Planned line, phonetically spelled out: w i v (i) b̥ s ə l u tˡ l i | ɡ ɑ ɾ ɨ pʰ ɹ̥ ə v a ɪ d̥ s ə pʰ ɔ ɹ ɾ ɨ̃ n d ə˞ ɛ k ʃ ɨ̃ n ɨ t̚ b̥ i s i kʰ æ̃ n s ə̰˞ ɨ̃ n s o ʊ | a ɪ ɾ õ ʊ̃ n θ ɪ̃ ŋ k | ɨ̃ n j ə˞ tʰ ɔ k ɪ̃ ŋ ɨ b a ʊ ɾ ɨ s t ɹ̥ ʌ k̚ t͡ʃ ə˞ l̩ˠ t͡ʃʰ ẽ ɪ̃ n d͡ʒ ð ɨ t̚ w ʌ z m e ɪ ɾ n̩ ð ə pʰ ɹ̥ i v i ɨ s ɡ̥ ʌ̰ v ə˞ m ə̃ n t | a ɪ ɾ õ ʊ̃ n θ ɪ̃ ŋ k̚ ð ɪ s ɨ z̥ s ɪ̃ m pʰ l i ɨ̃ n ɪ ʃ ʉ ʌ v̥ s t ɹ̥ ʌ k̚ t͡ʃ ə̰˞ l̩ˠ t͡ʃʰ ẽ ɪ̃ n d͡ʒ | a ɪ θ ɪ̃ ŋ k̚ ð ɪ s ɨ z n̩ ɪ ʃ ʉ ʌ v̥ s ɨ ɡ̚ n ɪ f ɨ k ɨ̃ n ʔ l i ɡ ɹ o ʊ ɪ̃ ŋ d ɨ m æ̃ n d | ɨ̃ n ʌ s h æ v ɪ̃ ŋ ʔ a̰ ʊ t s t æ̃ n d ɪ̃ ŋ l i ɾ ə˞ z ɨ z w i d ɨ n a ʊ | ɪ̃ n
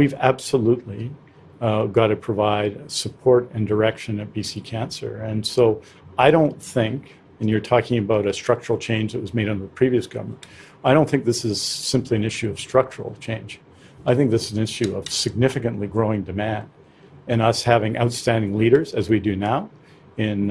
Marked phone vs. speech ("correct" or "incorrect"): incorrect